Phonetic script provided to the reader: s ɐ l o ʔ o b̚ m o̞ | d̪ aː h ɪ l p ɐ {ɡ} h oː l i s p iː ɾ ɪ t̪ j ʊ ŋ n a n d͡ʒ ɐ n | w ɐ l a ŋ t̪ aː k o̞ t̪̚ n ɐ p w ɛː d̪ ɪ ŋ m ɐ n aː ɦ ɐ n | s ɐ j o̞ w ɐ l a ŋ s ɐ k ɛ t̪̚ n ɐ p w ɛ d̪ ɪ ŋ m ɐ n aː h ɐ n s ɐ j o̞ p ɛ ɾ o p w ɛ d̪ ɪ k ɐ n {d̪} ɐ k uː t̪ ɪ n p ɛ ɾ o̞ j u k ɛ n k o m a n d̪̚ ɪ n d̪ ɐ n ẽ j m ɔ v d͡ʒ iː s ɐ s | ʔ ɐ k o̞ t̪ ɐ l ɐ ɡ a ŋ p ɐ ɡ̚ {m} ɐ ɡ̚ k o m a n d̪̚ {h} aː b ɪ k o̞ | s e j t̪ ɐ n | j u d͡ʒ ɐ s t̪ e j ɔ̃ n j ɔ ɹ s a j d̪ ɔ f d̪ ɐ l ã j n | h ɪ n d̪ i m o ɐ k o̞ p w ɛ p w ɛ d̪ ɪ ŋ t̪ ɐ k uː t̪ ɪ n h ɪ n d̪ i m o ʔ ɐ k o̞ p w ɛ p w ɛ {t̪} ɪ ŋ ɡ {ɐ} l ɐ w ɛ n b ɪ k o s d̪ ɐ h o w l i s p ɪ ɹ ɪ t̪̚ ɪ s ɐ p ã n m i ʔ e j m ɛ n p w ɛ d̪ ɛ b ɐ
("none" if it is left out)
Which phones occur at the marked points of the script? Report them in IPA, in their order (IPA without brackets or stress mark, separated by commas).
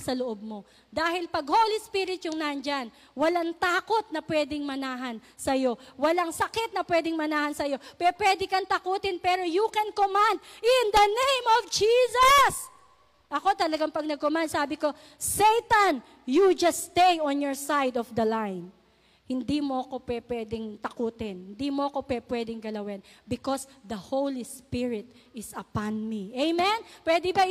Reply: ɡ, t̪, n, s, d̪, ɐ